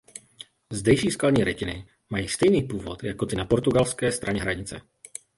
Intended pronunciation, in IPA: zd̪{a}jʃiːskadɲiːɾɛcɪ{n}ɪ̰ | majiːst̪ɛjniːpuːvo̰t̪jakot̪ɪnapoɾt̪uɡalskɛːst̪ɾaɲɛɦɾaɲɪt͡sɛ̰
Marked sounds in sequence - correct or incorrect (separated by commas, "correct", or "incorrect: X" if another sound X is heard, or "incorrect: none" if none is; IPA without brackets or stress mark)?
incorrect: ɛ, correct